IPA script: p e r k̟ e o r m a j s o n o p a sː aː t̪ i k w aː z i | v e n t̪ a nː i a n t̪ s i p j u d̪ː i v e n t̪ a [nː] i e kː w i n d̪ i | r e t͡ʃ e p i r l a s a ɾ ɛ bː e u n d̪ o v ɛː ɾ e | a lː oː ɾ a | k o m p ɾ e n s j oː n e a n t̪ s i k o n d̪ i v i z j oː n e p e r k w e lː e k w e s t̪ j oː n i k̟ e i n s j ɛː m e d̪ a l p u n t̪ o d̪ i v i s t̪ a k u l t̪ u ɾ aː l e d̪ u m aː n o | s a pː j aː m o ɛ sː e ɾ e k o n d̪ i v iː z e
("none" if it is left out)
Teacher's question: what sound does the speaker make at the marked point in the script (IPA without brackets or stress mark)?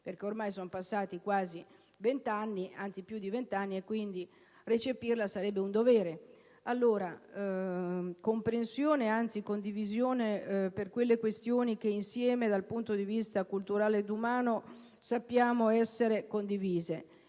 nː